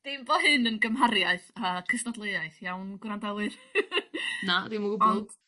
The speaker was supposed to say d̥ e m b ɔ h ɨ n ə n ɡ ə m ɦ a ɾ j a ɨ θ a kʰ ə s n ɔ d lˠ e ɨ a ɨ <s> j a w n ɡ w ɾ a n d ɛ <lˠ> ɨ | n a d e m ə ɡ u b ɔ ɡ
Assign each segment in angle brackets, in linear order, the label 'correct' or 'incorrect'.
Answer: incorrect: θ, correct

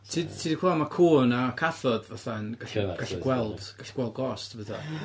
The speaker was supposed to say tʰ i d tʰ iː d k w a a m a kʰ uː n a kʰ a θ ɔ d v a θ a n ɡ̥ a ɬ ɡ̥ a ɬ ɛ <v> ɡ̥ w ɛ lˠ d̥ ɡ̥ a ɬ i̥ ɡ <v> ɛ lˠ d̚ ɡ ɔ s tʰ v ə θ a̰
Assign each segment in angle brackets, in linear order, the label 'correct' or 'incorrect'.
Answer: incorrect: none, incorrect: w

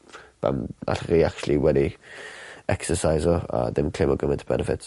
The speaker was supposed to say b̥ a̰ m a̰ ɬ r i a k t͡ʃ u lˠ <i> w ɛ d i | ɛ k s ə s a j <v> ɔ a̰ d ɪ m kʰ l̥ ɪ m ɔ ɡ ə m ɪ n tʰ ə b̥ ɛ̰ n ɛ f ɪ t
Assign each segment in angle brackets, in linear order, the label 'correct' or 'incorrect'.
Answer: correct, incorrect: z

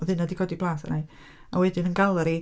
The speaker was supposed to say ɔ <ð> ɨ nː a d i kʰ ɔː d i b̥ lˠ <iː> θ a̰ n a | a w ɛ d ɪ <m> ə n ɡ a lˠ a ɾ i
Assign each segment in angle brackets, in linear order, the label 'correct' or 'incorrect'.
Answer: correct, incorrect: aː, incorrect: n

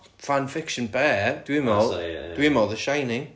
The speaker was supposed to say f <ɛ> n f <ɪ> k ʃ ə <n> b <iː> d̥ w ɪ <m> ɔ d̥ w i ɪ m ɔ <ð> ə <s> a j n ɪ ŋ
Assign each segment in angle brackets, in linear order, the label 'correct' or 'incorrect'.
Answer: incorrect: a, correct, correct, incorrect: ɛː, correct, correct, incorrect: ʃ

